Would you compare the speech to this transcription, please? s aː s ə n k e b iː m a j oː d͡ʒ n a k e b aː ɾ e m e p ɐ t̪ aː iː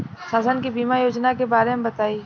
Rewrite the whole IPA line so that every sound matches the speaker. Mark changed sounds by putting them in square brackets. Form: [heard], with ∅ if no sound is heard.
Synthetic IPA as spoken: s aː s ə n k [i] b iː m a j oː d͡ʒ n a k e b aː ɾ e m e [b] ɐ t̪ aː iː